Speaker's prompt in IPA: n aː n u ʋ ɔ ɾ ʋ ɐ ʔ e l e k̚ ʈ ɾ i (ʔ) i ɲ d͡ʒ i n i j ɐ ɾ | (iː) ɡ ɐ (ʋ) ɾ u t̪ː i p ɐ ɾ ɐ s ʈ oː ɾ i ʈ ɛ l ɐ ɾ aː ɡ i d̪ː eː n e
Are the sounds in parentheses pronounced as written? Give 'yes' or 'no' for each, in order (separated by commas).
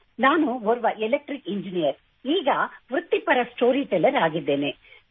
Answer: no, yes, yes